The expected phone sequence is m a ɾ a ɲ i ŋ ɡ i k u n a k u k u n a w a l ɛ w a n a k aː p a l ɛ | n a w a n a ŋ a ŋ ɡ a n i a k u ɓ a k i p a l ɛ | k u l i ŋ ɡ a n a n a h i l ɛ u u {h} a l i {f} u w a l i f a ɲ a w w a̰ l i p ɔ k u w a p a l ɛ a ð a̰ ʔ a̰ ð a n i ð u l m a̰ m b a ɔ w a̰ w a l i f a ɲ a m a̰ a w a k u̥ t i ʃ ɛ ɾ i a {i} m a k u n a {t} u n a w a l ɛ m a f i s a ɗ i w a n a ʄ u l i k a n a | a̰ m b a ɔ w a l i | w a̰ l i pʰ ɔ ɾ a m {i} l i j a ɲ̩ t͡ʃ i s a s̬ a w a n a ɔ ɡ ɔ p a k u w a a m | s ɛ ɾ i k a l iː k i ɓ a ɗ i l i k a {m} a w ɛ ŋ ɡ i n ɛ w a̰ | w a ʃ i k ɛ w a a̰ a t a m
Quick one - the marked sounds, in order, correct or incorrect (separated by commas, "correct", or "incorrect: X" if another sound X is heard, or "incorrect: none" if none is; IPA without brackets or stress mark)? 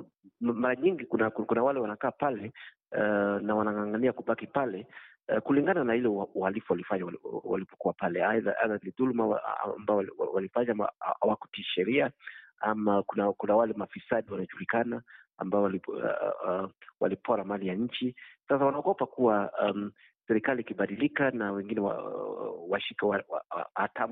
correct, correct, incorrect: a, incorrect: k, incorrect: a, incorrect: n